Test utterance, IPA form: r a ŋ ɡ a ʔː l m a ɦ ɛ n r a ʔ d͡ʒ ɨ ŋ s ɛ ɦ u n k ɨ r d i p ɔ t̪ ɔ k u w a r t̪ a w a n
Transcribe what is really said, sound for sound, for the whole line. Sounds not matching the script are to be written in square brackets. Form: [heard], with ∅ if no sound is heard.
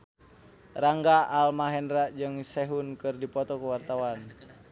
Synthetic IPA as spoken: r a ŋ ɡ a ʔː l m a ɦ ɛ n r a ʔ d͡ʒ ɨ ŋ s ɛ ɦ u n k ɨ r d i p ɔ t̪ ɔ k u w a r t̪ a w a n

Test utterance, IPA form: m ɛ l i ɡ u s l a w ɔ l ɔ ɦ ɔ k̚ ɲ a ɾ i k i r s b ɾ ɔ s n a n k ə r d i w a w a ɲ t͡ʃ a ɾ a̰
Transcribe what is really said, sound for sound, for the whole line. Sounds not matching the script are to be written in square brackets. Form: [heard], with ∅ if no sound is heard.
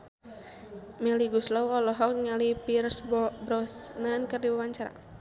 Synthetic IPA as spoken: m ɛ l i ɡ u s l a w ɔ l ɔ ɦ ɔ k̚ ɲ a [l] i [p] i r s b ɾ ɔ s n a n k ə r d i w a w a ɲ t͡ʃ a ɾ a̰

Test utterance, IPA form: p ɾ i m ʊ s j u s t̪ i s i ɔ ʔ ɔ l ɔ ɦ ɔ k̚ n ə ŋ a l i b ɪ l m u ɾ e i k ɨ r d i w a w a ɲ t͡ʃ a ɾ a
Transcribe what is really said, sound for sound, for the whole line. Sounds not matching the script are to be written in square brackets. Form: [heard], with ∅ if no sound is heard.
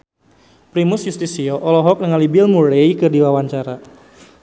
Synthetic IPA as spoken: p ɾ i m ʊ s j u s t̪ i s i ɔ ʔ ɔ l ɔ ɦ ɔ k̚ n ə ŋ a l i b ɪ l m u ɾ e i k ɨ r d i w a w a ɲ t͡ʃ a ɾ a

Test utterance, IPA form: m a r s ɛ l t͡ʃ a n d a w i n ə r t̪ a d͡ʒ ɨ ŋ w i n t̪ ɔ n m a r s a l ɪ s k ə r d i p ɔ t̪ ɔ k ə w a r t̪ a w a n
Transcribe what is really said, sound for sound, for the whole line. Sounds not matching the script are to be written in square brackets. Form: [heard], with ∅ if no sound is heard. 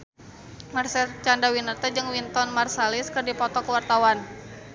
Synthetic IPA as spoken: m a r s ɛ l t͡ʃ a n d a w i n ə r t̪ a d͡ʒ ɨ ŋ w i n t̪ ɔ n m a r s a l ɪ s k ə r d i p ɔ t̪ ɔ k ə w a r t̪ a w a n

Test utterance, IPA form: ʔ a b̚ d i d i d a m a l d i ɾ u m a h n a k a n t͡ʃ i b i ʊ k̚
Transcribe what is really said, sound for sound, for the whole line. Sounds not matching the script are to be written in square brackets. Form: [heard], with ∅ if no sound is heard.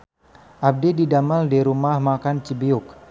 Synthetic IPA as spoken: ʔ a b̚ d i d i d a m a l d i ɾ u m a h [m] a k a n t͡ʃ i b i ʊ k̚

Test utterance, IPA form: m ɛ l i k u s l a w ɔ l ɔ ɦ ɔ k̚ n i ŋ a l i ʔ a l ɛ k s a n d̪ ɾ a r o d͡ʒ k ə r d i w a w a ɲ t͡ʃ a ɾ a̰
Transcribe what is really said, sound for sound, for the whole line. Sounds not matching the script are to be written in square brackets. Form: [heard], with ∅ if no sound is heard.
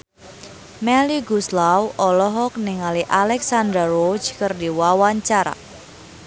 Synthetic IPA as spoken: m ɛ l i [ɡ] u s l a w ɔ l ɔ ɦ ɔ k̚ n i ŋ a l i ʔ a l ɛ k s a n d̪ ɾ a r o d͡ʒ k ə r d i w a w a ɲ t͡ʃ a ɾ a̰

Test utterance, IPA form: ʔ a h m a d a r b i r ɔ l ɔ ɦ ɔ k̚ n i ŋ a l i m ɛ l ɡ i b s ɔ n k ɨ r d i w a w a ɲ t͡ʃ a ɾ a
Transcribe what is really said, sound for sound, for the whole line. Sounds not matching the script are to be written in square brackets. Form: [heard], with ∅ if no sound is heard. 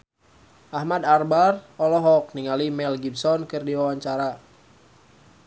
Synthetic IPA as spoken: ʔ a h m a d a r b [a] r ɔ l ɔ ɦ ɔ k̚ n i ŋ a l i m ɛ l ɡ i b s ɔ n k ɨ r d i w a w a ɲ t͡ʃ a ɾ a

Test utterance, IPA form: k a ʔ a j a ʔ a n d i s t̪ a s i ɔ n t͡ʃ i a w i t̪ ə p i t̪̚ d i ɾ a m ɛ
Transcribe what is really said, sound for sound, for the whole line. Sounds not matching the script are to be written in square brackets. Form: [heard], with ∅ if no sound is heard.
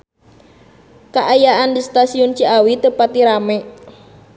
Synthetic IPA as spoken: k a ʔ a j a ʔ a n d i s t̪ a s i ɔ n t͡ʃ i a w i t̪ ə p [a] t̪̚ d i ɾ a m ɛ

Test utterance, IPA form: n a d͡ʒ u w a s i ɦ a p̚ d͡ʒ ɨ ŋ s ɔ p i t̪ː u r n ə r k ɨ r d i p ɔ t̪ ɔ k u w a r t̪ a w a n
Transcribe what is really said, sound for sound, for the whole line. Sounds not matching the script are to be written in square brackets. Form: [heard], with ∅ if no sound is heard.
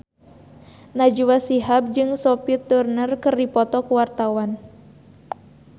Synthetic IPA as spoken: n a d͡ʒ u w a s i ɦ a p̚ d͡ʒ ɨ ŋ s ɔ p i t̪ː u r n ə r k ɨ r d i p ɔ t̪ ɔ k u w a r t̪ a w a n

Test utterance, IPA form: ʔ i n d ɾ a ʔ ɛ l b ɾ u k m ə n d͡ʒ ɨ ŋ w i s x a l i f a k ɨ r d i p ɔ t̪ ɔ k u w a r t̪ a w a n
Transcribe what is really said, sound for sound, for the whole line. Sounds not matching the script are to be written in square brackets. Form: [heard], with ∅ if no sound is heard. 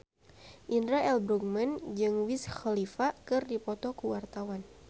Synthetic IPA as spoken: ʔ i n d ɾ a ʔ ɛ l b ɾ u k m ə n d͡ʒ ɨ ŋ w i s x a l i f a k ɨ r d i p ɔ t̪ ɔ k u w a r t̪ a w a n

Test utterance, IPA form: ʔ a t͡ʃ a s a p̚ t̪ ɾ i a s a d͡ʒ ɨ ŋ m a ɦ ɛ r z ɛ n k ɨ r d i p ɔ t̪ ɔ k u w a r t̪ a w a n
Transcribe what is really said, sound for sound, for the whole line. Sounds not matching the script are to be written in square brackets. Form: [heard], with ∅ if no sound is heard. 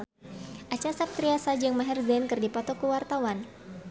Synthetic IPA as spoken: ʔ a t͡ʃ a s a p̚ t̪ ɾ i a s a d͡ʒ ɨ ŋ m a ɦ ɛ r z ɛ n k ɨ r d i p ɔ t̪ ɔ k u w a r t̪ a w a n

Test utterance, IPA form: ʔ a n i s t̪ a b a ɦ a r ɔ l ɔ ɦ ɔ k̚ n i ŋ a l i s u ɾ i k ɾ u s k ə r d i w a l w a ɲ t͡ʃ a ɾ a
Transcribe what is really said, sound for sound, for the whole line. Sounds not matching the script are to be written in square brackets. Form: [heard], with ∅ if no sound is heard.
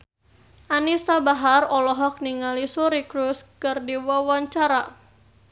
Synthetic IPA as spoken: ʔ a n i s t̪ a b a ɦ a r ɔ l ɔ ɦ ɔ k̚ n i ŋ a l i s u ɾ i k ɾ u s k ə r d i w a [∅] w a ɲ t͡ʃ a ɾ a

